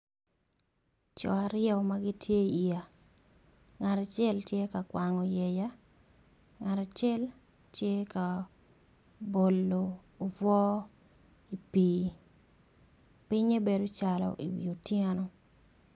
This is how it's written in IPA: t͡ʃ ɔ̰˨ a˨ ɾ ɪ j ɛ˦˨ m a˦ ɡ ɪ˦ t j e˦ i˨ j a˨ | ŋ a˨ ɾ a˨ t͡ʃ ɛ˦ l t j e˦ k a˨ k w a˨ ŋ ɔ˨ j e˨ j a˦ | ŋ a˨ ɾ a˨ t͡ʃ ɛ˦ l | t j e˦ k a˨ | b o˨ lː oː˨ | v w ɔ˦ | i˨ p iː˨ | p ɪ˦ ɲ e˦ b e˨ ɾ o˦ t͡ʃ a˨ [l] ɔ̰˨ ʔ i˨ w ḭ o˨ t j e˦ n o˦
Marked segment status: correct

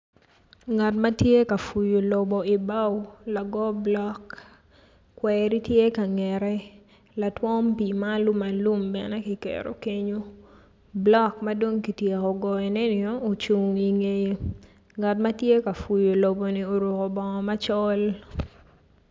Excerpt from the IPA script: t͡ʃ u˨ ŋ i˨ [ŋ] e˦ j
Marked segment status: correct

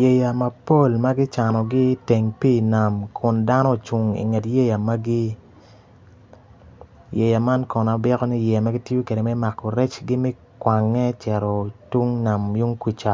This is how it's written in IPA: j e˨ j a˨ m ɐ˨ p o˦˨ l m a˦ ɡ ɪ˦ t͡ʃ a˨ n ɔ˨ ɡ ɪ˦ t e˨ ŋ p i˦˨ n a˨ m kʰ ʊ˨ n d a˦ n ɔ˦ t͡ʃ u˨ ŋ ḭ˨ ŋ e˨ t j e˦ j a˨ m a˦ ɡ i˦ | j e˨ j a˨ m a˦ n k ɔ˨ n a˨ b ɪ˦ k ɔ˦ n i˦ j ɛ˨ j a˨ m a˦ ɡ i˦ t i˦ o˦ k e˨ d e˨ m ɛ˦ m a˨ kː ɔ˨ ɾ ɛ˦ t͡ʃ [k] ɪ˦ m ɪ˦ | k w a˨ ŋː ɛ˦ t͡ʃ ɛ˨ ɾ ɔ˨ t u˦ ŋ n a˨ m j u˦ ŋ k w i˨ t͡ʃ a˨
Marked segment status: incorrect: ɡ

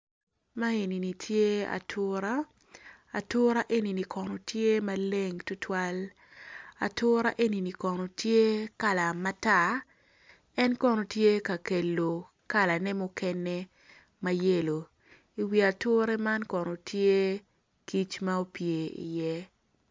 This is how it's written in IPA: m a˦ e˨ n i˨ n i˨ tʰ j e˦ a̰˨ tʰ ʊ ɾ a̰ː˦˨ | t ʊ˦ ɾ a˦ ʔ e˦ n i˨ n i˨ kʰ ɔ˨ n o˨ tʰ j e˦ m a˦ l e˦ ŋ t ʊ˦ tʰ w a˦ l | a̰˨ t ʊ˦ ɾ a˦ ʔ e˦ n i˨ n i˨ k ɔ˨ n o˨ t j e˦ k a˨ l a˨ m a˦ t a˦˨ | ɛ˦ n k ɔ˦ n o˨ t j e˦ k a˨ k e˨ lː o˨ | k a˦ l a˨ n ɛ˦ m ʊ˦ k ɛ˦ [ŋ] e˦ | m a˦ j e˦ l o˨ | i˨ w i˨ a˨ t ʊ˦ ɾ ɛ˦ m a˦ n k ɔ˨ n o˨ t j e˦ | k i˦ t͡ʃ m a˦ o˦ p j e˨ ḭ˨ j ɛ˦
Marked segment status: incorrect: n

